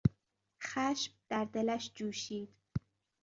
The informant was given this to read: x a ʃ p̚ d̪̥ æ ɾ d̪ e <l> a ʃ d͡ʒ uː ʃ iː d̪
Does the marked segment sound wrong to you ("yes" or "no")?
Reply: no